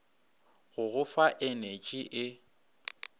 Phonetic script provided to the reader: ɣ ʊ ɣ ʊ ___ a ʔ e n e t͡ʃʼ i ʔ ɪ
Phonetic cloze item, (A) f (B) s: A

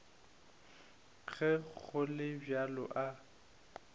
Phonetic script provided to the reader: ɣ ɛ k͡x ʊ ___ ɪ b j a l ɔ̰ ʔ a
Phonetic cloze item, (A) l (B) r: A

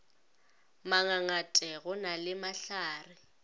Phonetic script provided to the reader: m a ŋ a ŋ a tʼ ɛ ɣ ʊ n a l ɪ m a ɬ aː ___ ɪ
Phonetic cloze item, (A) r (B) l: A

